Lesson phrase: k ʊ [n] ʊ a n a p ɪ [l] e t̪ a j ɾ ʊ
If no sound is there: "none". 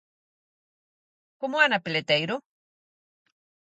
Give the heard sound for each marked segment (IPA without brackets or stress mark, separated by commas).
m, l